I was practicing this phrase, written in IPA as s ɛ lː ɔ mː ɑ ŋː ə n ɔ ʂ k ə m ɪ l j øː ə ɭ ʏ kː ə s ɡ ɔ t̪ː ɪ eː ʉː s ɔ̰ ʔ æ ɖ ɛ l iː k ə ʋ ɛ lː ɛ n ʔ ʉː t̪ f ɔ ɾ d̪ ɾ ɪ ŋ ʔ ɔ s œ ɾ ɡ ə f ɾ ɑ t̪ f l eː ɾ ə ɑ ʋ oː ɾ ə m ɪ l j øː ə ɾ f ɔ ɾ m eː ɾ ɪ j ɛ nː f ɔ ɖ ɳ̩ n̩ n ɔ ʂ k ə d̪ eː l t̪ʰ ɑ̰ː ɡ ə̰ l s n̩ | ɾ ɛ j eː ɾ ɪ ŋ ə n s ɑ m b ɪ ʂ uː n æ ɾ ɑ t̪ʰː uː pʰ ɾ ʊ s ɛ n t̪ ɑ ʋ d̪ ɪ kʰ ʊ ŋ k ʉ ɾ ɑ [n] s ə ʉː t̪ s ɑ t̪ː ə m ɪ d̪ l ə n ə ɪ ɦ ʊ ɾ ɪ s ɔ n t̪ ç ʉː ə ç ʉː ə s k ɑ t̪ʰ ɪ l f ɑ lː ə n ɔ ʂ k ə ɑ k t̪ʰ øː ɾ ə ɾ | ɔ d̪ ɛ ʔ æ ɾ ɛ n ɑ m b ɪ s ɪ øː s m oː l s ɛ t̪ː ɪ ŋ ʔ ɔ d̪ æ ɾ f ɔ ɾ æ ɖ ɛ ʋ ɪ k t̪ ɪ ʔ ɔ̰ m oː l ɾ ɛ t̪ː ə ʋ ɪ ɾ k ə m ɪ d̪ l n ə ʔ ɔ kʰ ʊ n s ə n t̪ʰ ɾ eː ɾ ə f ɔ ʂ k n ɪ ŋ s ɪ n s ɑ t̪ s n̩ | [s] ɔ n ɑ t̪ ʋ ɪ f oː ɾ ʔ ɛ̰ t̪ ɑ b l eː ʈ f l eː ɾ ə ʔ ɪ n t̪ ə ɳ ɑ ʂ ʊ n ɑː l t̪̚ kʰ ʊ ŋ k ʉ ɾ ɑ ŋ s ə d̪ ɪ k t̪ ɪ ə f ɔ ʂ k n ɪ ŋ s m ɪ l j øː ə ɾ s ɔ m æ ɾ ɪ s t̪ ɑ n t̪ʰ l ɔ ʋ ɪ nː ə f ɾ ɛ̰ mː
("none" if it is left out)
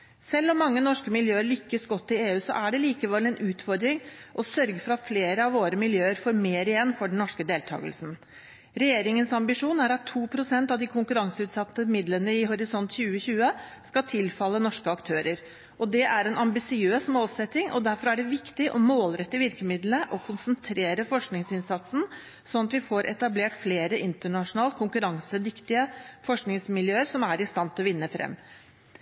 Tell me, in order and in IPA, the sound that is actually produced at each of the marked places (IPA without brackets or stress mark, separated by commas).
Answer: ŋ, s